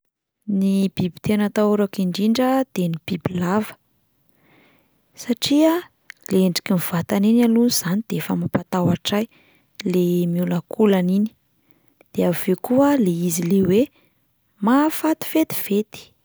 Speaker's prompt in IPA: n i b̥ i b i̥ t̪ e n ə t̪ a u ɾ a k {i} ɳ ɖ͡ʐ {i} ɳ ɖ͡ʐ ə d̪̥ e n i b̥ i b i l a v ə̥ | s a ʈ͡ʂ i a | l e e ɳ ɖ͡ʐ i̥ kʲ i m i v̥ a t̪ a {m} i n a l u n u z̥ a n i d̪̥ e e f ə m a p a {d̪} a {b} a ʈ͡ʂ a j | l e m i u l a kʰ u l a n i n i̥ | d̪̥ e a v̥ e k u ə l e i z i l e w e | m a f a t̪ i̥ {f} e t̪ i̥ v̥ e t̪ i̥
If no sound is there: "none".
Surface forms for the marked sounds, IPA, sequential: i, i, n, t̪, w, f

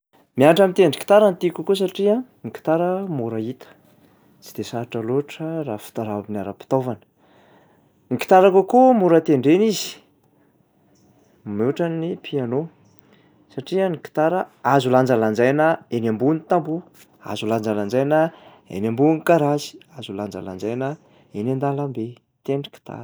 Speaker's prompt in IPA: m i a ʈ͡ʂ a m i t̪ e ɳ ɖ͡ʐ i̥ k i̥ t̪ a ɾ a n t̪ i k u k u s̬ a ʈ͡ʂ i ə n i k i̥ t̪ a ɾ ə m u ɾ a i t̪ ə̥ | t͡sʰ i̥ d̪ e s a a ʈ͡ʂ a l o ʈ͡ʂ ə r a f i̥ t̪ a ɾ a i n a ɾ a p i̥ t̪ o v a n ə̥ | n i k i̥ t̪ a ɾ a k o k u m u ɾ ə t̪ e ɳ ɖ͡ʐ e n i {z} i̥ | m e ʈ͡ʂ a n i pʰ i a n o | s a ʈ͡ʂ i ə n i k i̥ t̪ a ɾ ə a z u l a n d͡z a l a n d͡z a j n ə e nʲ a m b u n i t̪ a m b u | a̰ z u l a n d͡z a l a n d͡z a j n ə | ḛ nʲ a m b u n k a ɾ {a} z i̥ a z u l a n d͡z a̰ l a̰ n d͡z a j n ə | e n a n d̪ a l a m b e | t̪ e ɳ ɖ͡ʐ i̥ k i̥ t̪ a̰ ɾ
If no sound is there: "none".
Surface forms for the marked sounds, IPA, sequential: z, a

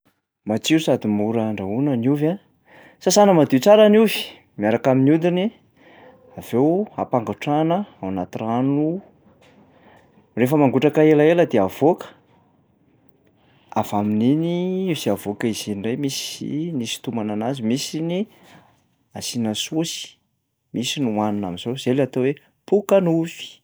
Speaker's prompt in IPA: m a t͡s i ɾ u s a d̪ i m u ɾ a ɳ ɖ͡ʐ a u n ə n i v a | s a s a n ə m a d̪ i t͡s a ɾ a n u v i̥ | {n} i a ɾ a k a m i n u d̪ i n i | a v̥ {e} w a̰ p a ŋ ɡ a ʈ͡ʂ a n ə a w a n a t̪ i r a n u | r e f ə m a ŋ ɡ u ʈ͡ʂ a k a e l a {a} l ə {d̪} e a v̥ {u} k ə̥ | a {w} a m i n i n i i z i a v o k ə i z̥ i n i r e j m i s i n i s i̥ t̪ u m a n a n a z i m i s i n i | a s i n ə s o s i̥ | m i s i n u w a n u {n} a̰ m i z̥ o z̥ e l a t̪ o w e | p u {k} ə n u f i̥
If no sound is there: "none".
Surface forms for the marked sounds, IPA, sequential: m, e, e, d̪, o, v, n, k

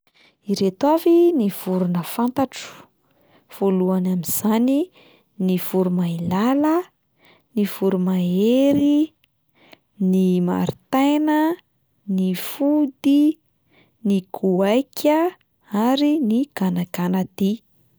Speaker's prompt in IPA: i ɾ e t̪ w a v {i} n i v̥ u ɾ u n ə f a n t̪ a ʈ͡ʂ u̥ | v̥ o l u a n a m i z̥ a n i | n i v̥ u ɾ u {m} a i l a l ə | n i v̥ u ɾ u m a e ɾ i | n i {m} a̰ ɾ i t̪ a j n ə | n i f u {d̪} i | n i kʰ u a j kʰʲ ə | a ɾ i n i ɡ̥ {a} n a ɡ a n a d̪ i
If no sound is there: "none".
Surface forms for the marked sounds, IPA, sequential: i, m, m, d̪, a

